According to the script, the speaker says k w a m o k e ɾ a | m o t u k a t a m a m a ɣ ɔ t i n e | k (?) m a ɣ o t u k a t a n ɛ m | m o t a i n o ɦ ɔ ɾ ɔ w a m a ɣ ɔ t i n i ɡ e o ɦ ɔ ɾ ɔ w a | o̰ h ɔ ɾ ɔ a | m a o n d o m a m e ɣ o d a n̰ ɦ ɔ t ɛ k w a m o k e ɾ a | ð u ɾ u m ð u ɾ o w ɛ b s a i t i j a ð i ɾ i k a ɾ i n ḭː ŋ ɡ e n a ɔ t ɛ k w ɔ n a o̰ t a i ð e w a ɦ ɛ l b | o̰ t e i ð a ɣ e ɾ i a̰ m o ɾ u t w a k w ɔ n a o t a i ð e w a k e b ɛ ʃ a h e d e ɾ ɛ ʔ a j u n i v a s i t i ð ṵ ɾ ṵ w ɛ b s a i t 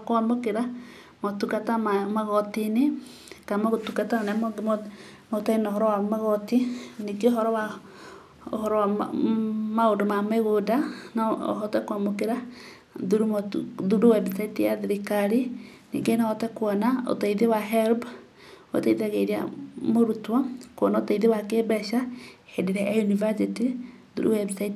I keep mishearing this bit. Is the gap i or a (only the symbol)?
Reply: a